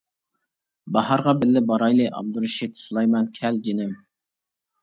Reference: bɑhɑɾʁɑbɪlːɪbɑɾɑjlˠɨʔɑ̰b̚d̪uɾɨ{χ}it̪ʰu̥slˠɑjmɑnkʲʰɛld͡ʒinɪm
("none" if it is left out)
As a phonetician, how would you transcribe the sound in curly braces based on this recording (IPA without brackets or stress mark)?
ʃ